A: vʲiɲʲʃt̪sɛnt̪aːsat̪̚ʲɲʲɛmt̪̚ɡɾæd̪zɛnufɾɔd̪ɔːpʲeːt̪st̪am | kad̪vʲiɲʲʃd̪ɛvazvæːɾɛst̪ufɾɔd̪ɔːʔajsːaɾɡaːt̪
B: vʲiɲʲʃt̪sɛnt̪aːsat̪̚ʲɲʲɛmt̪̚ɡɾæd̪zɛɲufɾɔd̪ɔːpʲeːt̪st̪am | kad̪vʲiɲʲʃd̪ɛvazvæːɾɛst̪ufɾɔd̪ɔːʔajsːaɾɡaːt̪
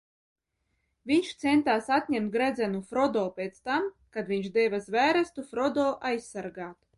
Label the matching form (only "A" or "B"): A